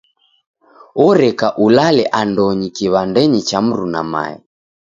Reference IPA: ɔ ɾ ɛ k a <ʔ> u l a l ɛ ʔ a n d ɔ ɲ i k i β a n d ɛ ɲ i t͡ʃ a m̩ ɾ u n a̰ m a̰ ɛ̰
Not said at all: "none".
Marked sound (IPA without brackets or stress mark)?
ʔ